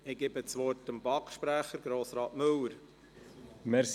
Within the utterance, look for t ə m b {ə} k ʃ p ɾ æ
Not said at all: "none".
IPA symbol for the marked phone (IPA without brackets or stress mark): ɑ